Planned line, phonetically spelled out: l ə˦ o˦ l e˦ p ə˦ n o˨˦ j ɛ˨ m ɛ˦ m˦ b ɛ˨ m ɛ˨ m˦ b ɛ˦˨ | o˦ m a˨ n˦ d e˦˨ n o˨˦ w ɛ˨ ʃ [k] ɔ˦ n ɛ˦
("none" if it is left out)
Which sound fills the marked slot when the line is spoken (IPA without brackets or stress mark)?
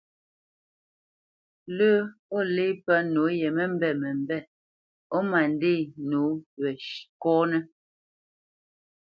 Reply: k